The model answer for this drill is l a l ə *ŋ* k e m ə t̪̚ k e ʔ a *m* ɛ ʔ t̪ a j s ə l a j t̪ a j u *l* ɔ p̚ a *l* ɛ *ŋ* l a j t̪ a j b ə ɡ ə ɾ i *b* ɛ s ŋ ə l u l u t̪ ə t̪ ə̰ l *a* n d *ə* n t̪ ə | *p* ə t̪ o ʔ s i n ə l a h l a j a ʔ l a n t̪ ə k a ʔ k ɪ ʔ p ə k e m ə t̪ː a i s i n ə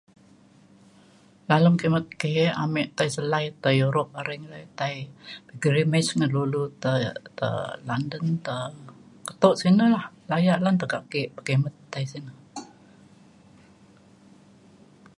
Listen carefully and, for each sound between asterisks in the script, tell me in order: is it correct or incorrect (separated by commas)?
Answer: incorrect, correct, incorrect, incorrect, correct, incorrect, correct, correct, incorrect